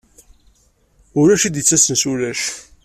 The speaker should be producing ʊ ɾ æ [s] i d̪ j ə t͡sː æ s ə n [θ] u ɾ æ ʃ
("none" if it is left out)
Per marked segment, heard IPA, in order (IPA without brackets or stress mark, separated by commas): ʃ, s